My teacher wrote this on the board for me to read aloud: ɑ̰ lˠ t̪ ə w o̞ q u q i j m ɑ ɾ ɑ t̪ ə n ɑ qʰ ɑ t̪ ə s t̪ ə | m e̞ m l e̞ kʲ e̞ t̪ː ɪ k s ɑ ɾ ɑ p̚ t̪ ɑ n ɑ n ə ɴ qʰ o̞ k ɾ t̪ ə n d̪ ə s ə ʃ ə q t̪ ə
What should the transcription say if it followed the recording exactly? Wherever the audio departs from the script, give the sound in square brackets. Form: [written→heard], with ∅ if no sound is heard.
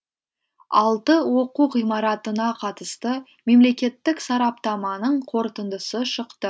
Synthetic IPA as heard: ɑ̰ lˠ t̪ ə w o̞ q u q i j m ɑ ɾ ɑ t̪ ə n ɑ qʰ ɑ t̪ ə s t̪ ə | m e̞ m l e̞ kʲ e̞ t̪ː ɪ k s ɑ ɾ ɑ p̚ t̪ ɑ [n→m] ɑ n ə ɴ qʰ o̞ [k→∅] ɾ t̪ ə n d̪ ə s ə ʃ ə q t̪ ə